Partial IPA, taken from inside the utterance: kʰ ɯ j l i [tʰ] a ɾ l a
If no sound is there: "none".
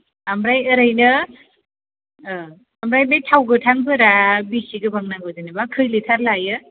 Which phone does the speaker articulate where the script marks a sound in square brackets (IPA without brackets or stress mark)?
tʰ